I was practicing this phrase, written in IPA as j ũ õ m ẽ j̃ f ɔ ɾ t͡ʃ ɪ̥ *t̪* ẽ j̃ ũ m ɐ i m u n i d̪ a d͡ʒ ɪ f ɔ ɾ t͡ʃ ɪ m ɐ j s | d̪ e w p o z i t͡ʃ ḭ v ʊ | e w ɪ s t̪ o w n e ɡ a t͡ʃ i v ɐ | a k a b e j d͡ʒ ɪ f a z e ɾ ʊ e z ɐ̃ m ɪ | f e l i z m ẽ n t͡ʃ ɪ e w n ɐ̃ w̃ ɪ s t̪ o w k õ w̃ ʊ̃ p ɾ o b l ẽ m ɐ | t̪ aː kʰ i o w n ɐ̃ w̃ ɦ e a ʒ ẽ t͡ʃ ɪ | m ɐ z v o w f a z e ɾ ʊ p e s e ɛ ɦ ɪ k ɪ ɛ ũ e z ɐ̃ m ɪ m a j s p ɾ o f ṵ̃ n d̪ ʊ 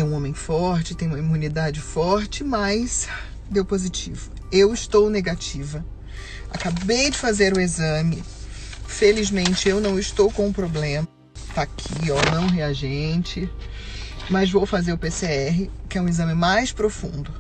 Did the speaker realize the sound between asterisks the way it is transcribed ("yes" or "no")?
yes